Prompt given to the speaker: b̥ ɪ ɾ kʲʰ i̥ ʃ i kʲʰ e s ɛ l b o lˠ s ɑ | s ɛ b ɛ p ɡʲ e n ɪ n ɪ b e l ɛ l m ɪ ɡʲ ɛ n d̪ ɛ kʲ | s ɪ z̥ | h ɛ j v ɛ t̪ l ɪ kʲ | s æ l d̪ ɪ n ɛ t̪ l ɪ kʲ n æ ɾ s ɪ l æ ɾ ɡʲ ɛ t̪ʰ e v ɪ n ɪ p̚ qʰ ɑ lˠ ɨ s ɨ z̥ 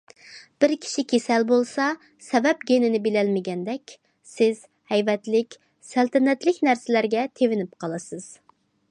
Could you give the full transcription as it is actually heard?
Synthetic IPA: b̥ ɪ ɾ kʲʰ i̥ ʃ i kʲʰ e s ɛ l b o lˠ s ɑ | s ɛ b ɛ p ɡʲ e n ɪ n ɪ b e l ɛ l m ɪ ɡʲ ɛ n d̪ ɛ kʲ | s ɪ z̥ | h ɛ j v ɛ t̪ l ɪ kʲ | s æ l t̪ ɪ n ɛ t̪ l ɪ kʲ n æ ɾ s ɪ l æ ɾ ɡʲ ɛ t̪ʰ e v ɪ n ɪ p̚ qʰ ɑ lˠ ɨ s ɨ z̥